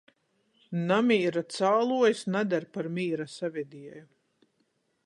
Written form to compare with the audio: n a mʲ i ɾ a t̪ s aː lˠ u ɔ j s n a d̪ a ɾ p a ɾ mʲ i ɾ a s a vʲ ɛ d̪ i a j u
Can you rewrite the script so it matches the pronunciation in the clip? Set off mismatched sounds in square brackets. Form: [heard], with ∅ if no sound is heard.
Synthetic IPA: n a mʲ [iː] ɾ a t̪ s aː lˠ u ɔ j s n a d̪ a ɾ p a ɾ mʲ [iː] ɾ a s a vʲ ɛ d̪ i [ɛ] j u